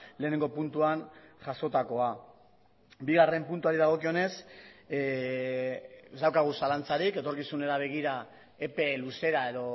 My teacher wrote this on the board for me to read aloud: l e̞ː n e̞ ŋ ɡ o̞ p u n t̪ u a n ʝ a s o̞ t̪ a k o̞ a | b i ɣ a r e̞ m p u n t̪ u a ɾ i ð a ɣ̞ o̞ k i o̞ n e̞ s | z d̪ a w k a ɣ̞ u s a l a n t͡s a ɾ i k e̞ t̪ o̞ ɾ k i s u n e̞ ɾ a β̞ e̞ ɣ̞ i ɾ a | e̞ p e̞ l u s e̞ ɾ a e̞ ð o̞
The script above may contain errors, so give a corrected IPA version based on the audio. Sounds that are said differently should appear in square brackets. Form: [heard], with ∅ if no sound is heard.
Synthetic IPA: l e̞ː n e̞ ŋ ɡ o̞ p u n t̪ u a n ʝ a s o̞ t̪ a k o̞ a | b i ɣ a r e̞ m p u n t̪ u a ɾ i ð a ɣ̞ o̞ k i o̞ n e̞ s | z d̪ a w k a ɣ̞ u s a l a n t͡s a ɾ i k e̞ t̪ o̞ ɾ k i s u n e̞ ɾ a β̞ e̞ ɣ̞ i ɾ a | e̞ p e̞ l u s e̞ ɾ a e̞ ð o̞